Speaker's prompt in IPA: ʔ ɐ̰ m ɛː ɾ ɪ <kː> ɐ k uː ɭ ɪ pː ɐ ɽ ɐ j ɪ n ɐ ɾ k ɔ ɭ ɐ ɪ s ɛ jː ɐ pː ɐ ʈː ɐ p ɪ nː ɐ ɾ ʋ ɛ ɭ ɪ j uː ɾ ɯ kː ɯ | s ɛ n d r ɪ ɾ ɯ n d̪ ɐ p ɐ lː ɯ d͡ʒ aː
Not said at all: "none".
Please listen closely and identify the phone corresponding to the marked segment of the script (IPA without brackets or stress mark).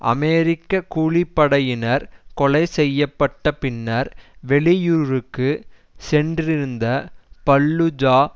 kː